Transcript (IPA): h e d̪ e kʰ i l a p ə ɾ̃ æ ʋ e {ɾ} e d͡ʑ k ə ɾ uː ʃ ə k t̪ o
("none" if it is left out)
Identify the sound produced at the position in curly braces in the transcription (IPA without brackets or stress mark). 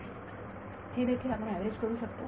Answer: ɾ